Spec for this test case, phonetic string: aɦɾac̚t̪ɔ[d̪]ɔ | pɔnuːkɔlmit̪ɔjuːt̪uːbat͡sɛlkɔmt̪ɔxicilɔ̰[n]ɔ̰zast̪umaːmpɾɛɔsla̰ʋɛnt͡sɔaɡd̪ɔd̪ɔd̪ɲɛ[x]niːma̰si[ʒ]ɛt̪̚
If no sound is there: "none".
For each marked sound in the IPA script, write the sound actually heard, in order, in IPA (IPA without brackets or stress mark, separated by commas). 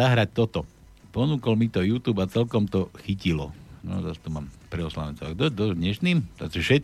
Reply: t̪, n, ʃ, ʃ